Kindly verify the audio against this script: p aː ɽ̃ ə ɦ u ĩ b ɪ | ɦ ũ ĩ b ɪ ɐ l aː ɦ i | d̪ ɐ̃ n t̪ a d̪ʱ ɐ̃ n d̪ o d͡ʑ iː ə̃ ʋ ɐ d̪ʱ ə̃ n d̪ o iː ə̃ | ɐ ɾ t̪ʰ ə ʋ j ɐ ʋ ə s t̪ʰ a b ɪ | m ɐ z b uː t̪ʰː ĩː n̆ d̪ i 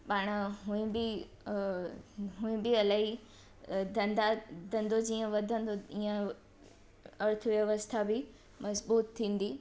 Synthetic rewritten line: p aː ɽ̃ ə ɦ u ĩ b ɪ | ɦ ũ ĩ b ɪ ɐ l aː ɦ i | d̪ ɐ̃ n d̪ a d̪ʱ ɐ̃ n d̪ o d͡ʑ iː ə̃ ʋ ɐ d̪ʱ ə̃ n d̪ o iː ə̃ | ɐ ɾ t̪ʰ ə ʋ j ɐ ʋ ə s t̪ʰ a b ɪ | m ɐ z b uː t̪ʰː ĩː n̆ d̪ i